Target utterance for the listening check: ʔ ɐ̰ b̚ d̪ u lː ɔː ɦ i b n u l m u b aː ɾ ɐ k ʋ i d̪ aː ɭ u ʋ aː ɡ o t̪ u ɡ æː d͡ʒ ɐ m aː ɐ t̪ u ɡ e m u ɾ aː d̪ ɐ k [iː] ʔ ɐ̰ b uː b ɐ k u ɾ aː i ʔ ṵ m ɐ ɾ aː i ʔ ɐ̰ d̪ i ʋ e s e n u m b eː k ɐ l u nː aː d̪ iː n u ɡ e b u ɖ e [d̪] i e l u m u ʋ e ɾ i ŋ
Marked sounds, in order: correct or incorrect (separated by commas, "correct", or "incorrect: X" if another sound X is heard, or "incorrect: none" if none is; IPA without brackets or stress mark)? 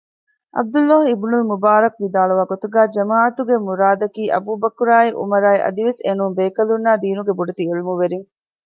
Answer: correct, incorrect: t̪